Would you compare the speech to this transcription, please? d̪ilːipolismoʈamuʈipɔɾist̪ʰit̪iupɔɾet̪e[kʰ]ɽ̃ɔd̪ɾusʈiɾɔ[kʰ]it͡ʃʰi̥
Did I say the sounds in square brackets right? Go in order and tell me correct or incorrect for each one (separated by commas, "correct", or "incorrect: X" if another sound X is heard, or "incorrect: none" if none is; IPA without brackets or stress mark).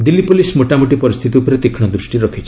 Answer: correct, correct